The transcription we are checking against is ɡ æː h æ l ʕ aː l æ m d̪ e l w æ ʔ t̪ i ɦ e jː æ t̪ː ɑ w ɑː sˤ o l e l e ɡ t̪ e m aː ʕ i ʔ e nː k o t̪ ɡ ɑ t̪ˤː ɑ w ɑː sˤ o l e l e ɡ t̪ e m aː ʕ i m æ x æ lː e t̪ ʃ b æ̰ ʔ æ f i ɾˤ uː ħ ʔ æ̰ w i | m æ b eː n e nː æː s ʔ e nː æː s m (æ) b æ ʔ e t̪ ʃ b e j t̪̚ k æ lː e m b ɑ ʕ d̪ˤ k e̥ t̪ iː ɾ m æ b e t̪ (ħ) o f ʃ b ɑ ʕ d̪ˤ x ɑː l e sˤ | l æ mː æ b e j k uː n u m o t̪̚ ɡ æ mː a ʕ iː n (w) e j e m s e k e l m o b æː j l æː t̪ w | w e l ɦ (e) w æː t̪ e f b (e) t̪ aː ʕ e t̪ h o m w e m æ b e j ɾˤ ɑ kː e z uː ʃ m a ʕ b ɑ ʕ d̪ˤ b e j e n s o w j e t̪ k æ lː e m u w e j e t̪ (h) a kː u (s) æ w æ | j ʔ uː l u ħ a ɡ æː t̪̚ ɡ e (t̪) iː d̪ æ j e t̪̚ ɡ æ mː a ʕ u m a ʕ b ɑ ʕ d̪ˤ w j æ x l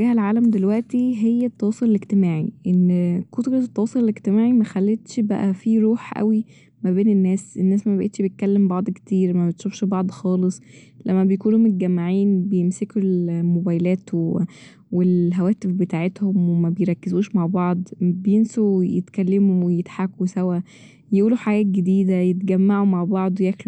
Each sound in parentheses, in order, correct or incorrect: correct, incorrect, incorrect, incorrect, correct, incorrect, correct, incorrect

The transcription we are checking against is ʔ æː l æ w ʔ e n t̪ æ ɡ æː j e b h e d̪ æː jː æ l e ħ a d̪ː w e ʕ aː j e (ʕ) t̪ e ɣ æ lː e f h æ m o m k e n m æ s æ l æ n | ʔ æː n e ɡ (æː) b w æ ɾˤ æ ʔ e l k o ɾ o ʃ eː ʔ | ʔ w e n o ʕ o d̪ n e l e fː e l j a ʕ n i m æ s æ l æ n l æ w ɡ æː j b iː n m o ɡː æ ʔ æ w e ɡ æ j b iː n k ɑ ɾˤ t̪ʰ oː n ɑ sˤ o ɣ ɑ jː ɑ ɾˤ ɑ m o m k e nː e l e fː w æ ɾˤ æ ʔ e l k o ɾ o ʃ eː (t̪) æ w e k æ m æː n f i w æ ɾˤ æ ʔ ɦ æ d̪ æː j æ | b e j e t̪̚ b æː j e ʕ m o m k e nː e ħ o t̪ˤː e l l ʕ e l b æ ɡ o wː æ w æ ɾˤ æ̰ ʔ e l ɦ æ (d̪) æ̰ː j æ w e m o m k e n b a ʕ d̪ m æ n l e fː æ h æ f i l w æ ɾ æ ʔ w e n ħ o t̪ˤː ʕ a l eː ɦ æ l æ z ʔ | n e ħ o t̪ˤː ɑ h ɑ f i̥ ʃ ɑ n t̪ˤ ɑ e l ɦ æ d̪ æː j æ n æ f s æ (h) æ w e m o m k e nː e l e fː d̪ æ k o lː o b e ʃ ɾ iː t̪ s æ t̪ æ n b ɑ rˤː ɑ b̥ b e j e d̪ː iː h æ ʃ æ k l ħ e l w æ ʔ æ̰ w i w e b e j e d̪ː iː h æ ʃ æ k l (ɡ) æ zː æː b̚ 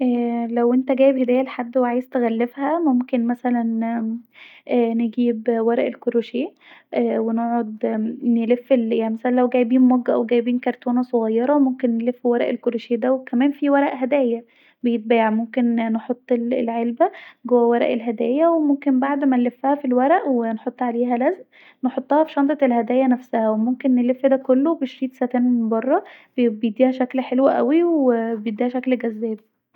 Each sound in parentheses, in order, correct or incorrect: incorrect, incorrect, incorrect, correct, correct, correct

